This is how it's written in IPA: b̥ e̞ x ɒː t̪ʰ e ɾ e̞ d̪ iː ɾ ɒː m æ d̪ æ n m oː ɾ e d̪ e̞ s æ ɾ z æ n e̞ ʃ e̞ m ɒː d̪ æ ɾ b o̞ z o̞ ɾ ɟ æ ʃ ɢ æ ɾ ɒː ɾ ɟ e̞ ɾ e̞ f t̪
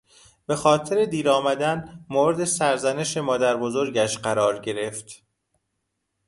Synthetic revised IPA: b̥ e̞ x ɒː t̪ʰ e ɾ e̞ d̪ iː ɾ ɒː m æ d̪ æ n m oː ɾ e d̪ e̞ s æ ɾ z æ n e̞ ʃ e̞ m ɒː d̪ æ ɾ b o̞ z o̞ ɾ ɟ æ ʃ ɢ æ ɾ ɒː ɾ ɟ e̞ ɾ e̞ f t̪